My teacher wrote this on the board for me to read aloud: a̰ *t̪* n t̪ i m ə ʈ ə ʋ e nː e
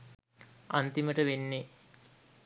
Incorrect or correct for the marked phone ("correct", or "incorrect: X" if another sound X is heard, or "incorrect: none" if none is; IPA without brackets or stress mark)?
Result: incorrect: none